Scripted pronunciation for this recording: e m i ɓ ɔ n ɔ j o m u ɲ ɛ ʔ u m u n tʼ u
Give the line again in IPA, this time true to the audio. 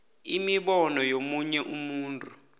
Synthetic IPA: i m i ɓ ɔ n ɔ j o m u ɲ ɛ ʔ u m uː n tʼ u